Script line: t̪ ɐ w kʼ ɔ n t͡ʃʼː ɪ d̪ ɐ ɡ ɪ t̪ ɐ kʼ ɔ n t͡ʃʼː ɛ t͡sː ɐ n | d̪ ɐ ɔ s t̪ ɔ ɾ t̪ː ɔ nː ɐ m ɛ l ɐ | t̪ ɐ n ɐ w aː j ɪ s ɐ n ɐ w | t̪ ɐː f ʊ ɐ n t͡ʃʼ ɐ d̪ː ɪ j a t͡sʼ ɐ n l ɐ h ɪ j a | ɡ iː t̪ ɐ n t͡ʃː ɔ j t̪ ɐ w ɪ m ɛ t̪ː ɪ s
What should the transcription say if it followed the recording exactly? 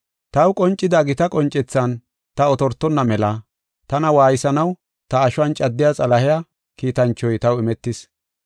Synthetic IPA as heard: t̪ ɐ w kʼ ɔ n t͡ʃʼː ɪ d̪ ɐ ɡ ɪ t̪ ɐ kʼ ɔ n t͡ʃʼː ɛ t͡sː ɐ n | t̪ ɐ ɔ t̪ ɔ ɾ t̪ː ɔ nː ɐ m ɛ l ɐ | t̪ ɐ n ɐ w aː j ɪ s ɐ n ɐ w | t̪ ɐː ʃ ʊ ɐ n t͡ʃʼ ɐ d̪ː ɪ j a t͡sʼ ɐ l ɐ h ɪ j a | k iː t̪ ɐ n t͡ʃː ɔ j t̪ ɐ w ɪ m ɛ t̪ː ɪ s